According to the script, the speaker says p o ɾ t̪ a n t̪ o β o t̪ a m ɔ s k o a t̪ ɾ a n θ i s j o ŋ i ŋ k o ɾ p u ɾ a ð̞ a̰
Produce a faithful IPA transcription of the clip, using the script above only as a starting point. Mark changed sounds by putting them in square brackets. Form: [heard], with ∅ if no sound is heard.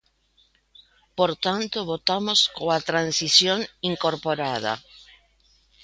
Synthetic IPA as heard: p o ɾ t̪ a n t̪ o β o t̪ a m [o] s k o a t̪ ɾ a n [s] i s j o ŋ i ŋ k o ɾ p [o] ɾ a ð̞ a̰